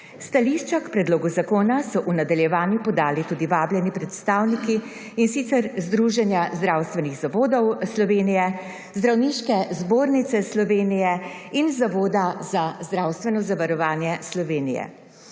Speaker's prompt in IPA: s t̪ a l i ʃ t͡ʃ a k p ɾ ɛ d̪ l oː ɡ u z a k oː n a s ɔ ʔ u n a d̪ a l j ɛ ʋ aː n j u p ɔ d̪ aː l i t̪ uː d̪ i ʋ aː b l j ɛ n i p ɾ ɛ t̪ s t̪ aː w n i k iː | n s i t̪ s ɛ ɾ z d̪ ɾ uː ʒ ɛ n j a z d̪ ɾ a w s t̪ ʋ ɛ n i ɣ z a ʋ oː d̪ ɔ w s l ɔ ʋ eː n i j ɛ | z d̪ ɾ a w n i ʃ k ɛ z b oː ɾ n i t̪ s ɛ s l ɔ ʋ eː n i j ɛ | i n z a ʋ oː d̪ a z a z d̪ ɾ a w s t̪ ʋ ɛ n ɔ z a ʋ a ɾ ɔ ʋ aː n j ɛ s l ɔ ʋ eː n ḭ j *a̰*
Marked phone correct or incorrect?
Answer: incorrect: ɛ̰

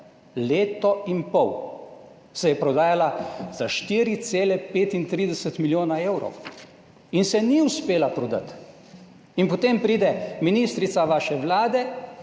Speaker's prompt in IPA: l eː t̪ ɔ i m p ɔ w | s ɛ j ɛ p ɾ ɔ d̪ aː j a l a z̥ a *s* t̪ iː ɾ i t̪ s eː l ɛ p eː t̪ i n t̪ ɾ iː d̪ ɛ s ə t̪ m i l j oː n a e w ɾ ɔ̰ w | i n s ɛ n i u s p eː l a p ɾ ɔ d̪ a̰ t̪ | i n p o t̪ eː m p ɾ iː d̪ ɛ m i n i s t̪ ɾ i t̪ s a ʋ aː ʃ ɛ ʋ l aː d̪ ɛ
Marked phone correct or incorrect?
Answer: incorrect: ʃ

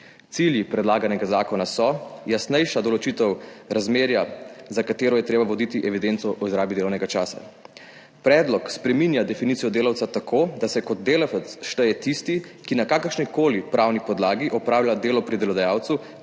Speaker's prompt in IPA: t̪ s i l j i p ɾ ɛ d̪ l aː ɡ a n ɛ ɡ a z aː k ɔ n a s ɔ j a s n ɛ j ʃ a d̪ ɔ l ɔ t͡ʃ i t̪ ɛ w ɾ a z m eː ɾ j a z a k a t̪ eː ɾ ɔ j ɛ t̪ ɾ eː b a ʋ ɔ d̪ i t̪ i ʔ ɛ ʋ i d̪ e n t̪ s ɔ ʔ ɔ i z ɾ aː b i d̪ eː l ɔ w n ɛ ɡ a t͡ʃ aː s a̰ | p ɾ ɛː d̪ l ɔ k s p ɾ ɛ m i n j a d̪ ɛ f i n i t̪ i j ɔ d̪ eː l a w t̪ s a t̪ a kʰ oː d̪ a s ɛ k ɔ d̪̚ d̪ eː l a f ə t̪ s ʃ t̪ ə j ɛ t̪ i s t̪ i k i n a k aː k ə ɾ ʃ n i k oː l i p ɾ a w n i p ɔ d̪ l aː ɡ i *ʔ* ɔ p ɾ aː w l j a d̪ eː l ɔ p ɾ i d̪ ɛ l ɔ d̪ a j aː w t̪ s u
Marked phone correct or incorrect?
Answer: correct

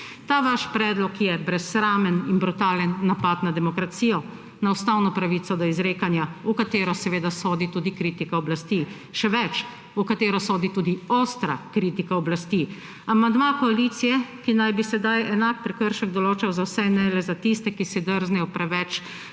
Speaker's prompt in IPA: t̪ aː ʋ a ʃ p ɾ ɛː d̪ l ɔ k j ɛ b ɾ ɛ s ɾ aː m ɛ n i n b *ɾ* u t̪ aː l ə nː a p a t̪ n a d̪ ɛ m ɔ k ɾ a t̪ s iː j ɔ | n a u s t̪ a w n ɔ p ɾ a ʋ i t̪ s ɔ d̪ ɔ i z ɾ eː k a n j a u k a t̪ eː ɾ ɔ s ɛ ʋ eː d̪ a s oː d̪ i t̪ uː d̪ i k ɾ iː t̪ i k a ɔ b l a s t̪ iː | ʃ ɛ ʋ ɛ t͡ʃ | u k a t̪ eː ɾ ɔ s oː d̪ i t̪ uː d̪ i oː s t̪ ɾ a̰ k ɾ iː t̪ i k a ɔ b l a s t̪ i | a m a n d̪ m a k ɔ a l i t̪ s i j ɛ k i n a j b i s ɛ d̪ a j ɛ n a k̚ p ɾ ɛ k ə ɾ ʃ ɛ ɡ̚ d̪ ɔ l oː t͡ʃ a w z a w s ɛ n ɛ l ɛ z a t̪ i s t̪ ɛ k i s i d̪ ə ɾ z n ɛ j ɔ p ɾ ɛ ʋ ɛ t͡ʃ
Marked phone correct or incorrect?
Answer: correct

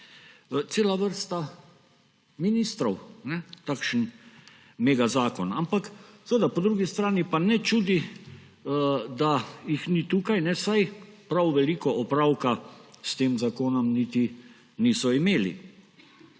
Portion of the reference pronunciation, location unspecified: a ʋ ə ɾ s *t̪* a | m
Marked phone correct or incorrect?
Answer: correct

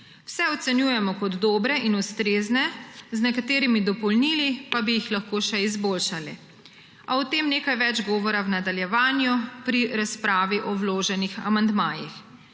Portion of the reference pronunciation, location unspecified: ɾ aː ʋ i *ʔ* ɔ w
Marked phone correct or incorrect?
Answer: correct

